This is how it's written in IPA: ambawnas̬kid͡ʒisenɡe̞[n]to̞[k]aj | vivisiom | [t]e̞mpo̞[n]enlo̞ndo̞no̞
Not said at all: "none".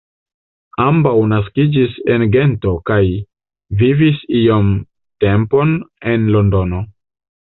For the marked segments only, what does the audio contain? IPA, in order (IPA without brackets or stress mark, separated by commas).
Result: n, k, t, n